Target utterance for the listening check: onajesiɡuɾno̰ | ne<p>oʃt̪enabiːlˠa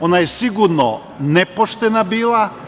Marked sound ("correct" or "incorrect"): correct